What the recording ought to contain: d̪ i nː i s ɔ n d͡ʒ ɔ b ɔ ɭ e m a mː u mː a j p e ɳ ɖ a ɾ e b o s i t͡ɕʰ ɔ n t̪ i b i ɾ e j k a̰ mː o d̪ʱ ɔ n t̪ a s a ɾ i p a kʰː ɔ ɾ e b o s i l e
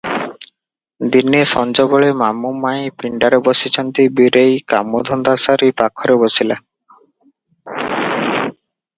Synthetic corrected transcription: d̪ i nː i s ɔ n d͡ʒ ɔ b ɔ ɭ e m a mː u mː a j p i ɳ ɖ a ɾ e b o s i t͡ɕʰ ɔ n t̪ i b i ɾ e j k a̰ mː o d̪ʱ ɔ n d̪ a s a ɾ i p a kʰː ɔ ɾ e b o s i l a